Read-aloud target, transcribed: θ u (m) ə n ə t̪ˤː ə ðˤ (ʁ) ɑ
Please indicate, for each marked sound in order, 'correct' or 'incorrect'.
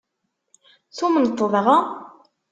correct, correct

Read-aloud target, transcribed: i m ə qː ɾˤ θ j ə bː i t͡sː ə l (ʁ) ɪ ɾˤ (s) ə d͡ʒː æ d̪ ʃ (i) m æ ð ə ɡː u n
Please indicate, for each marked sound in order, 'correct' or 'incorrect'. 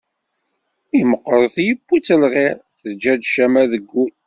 correct, incorrect: θ, incorrect: æ

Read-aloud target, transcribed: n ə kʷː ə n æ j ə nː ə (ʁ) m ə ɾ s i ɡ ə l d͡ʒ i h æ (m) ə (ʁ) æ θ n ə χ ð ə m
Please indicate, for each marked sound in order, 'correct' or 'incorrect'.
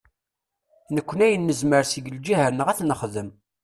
incorrect: z, incorrect: n, correct

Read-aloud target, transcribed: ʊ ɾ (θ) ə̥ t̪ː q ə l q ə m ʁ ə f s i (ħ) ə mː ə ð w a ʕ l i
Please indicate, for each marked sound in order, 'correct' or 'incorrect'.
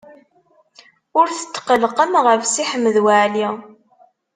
correct, correct

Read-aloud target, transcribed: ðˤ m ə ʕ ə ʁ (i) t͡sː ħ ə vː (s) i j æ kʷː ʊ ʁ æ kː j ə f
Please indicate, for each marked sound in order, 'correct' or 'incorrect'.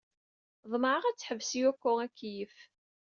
incorrect: æ, correct

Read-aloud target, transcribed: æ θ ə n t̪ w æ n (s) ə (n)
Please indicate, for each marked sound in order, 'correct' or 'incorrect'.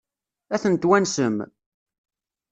correct, incorrect: m

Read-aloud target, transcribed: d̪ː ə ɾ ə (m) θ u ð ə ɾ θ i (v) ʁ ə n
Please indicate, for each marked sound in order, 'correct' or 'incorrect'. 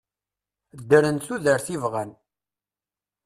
incorrect: n, correct

